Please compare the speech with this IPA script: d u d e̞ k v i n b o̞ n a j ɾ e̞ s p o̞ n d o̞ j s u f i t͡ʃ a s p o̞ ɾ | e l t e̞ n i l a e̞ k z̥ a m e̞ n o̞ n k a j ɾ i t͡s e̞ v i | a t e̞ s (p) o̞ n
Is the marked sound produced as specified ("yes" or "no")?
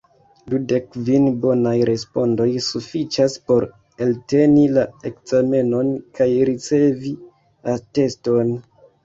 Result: no